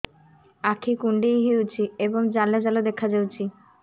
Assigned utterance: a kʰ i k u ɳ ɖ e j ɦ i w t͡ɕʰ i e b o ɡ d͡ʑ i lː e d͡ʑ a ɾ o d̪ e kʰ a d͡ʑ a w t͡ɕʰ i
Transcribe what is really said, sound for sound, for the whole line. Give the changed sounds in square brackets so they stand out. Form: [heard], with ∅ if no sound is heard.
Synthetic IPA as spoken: a kʰ i k u ɳ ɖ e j ɦ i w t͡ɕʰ i e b o [ŋ] d͡ʑ [a] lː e d͡ʑ a [l] o d̪ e kʰ a d͡ʑ a w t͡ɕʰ i

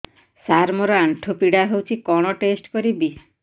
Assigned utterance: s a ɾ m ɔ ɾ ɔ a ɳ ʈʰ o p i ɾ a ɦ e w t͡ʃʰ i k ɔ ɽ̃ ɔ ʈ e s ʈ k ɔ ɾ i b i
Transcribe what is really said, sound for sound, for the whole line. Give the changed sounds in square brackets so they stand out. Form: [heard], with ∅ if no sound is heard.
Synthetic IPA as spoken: s a ɾ m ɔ ɾ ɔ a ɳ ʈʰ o p i [ɽ] a ɦ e w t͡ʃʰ i k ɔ ɽ̃ ɔ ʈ e s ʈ k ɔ ɾ i b i

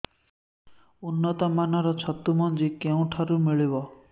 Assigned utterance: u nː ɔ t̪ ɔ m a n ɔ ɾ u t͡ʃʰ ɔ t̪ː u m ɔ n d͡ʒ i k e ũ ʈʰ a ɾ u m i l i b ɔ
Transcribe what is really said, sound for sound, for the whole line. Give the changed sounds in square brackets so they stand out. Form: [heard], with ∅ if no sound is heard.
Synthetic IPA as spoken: u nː ɔ t̪ ɔ m a n ɔ ɾ [ɔ] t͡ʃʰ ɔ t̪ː u m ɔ n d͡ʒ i k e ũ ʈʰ a ɾ u m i [ɭ] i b ɔ

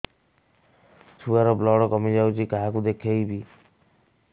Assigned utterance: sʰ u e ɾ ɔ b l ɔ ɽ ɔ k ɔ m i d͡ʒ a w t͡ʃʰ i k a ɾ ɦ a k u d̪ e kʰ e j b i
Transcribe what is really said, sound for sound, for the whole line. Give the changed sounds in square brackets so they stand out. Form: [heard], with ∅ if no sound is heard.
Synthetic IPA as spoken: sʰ u [a] ɾ ɔ b l ɔ ɽ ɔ k ɔ m i d͡ʒ a w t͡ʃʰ i k a [∅] ɦ a k u d̪ e kʰ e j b i

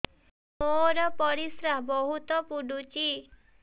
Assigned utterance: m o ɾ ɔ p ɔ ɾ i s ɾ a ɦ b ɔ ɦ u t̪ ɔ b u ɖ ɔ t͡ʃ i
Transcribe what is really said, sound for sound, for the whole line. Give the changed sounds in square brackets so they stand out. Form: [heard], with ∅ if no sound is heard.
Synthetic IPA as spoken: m o ɾ ɔ p ɔ ɾ i s ɾ a ɦ b ɔ ɦ u t̪ ɔ [p] u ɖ [u] t͡ʃ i

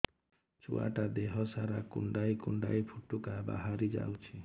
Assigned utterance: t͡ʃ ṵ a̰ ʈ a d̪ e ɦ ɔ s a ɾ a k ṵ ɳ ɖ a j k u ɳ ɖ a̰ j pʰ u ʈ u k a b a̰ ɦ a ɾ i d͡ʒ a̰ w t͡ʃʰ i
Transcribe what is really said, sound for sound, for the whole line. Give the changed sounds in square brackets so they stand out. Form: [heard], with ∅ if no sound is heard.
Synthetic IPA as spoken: t͡ʃ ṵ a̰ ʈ a d̪ e ɦ ɔ s a ɾ a k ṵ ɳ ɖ a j k u ɳ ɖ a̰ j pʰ u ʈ u k a b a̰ ɦ a ɾ i d͡ʒ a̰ w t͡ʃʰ i

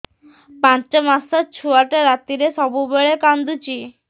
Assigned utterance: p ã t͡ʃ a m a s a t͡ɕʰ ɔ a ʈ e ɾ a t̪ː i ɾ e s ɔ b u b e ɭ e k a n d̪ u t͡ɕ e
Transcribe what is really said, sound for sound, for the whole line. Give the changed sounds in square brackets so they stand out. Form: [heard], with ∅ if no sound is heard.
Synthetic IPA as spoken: p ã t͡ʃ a m a s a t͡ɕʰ [u] a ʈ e ɾ a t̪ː i ɾ e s ɔ b u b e ɭ e k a n d̪ u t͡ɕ [i]

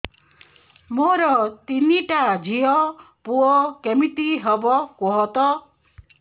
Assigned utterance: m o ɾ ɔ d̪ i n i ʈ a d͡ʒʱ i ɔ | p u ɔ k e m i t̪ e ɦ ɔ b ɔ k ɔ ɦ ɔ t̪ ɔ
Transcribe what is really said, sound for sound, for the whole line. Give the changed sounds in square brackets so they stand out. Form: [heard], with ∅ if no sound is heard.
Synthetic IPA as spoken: m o ɾ ɔ [t̪] i n i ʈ a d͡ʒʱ i ɔ | p u ɔ k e m i t̪ [i] ɦ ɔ b ɔ k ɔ ɦ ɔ t̪ ɔ

